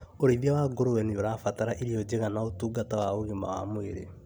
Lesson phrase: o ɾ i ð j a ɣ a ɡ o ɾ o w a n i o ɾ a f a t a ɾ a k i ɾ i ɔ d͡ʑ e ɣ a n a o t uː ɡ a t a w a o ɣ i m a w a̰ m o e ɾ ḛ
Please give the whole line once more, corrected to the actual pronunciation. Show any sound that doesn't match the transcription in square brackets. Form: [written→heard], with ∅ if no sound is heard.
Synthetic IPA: o ɾ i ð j a [ɣ→w] a ɡ o ɾ o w [a→ɛ] n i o ɾ a f a t a ɾ a [k→ʔ] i ɾ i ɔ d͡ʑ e ɣ a n a o t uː ɡ a t a w a o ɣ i m a w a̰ m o e ɾ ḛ